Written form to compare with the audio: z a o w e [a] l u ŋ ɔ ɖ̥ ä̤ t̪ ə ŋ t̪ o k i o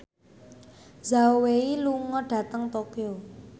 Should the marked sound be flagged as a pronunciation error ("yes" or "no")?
yes